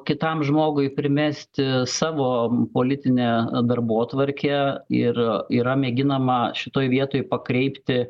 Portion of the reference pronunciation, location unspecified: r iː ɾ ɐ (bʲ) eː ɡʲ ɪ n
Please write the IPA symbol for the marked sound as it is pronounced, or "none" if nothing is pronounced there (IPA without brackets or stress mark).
mʲ